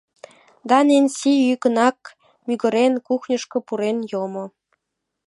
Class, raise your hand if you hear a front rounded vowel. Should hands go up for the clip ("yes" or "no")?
yes